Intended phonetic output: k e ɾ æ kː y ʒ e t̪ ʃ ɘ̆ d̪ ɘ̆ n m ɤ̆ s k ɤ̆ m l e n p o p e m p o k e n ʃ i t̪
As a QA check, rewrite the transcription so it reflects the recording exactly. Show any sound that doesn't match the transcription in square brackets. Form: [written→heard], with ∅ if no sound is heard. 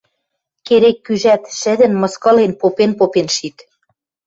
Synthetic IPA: k e ɾ [æ→e] kː y ʒ [e→æ] t̪ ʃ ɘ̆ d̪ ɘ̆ n m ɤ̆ s k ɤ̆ [m→∅] l e n p o p e [m→n] p o [k→p] e n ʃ i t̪